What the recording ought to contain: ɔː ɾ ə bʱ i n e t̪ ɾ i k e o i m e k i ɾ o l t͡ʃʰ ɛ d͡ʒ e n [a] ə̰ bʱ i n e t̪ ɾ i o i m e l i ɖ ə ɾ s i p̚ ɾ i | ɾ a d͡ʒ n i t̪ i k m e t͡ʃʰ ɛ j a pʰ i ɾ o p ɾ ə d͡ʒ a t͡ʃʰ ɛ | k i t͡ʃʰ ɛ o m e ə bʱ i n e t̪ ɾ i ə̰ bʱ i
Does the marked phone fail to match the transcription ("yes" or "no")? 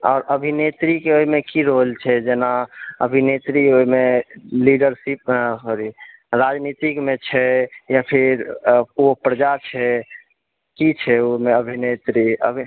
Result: no